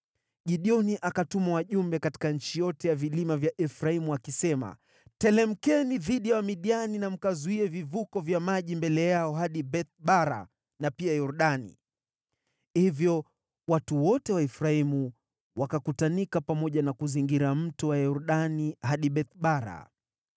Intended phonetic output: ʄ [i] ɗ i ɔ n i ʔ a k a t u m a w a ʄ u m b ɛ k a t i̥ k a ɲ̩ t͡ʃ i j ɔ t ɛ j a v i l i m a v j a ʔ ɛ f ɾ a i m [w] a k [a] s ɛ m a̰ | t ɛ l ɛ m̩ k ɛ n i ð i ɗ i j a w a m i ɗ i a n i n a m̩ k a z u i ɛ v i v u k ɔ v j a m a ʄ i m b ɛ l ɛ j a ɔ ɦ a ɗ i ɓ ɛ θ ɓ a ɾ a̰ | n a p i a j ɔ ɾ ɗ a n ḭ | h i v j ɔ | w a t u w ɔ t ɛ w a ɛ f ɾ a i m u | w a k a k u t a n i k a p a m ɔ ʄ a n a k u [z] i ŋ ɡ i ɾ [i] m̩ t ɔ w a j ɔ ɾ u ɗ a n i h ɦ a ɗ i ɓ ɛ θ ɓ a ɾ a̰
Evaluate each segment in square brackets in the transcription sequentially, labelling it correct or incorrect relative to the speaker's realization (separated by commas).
correct, incorrect, incorrect, correct, incorrect